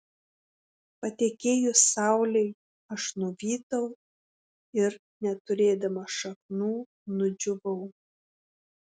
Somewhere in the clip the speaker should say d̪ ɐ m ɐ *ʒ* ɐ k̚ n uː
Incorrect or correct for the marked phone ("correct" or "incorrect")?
incorrect